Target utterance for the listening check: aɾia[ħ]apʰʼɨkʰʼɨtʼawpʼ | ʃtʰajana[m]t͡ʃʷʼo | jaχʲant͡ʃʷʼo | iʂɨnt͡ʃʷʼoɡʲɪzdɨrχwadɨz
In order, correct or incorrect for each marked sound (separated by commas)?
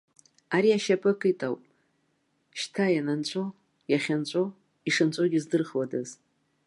incorrect, incorrect